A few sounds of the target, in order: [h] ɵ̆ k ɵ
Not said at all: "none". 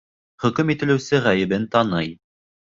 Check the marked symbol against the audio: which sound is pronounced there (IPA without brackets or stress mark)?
χ